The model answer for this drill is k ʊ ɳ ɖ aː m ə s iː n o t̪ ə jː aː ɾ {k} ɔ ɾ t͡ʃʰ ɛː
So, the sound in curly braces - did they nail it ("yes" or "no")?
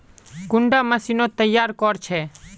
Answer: yes